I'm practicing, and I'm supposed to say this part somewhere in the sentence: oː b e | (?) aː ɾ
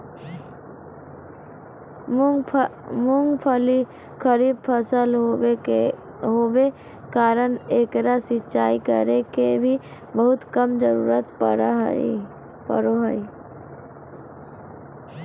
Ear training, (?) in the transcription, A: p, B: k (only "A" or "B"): B